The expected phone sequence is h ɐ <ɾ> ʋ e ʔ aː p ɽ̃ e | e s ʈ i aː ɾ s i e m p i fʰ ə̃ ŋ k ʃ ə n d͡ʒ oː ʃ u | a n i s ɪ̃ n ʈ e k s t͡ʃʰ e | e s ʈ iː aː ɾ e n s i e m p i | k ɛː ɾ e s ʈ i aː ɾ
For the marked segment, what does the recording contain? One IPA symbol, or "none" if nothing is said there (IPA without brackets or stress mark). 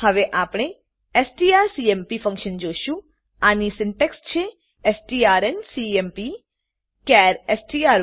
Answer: none